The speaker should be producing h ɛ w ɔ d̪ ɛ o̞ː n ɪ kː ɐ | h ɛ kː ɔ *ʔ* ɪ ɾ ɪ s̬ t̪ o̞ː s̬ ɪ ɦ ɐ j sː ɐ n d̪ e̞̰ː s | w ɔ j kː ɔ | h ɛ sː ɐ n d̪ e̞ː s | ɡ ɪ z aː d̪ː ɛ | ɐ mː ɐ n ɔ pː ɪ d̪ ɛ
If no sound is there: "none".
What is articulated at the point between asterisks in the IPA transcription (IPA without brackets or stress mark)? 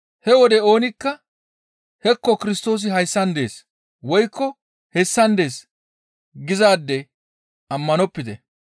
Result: k